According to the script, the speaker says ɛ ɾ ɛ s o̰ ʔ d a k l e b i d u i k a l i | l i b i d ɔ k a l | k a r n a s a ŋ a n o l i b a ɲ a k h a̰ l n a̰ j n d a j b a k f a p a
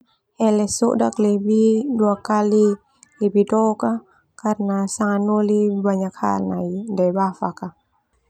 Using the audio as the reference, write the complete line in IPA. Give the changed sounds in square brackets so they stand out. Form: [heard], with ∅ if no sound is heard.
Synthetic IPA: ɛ [l] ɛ s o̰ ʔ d a k l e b i d u [a] k a l i | l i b i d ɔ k a [∅] | k a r n a s a ŋ a n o l i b a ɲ a k h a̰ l n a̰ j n d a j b a [∅] f a [k] a